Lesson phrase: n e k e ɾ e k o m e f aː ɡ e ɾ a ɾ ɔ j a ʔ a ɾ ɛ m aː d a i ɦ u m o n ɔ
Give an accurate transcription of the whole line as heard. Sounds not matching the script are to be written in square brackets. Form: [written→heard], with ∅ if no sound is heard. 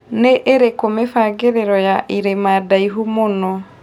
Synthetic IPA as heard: n e [k→ʔ] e ɾ e k o m e f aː ɡ e ɾ [a→e] ɾ ɔ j a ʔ [a→i] ɾ [ɛ→e] m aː d a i ɦ u m o n ɔ